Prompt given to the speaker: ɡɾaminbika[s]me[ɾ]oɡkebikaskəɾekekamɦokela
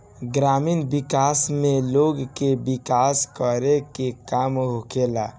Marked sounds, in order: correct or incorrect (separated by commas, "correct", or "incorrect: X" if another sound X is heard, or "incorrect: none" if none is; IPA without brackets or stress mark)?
correct, incorrect: l